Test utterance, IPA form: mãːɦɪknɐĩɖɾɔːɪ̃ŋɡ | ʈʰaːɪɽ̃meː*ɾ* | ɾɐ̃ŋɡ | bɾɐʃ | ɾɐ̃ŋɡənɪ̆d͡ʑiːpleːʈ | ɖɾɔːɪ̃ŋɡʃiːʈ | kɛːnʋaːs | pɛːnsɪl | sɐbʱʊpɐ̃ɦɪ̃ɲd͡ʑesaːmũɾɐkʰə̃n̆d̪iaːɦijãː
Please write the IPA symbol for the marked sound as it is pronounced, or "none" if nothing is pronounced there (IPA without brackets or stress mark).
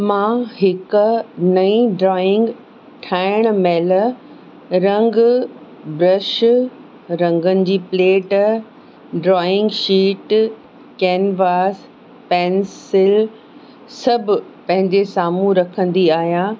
l